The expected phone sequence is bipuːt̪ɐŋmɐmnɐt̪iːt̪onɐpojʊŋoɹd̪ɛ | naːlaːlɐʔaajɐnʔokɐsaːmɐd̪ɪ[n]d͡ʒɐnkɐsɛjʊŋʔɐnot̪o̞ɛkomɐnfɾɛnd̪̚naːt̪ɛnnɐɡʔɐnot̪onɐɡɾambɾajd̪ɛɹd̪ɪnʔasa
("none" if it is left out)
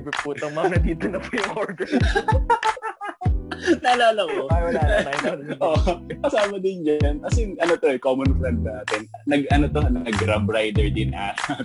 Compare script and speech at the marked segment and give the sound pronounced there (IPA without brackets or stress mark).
n